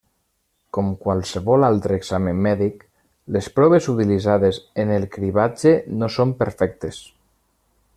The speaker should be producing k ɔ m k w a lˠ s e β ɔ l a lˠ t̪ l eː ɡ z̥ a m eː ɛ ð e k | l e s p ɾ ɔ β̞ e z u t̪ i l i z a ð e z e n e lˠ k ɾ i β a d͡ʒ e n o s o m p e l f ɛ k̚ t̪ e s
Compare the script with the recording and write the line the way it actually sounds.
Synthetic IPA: k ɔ m k w a lˠ s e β ɔ l a lˠ t̪ ɾ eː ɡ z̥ a m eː ɛ ð i k | l e s p ɾ ɔ β̞ e z u t̪ i l i z a ð e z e n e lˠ k ɾ i β a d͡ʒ e n o s o m p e ɾ f ɛ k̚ t̪ e s